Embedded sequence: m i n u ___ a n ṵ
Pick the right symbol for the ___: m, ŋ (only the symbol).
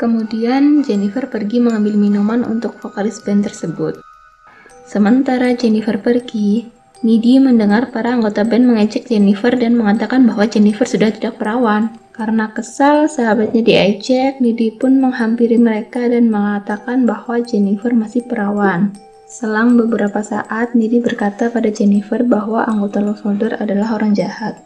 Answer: m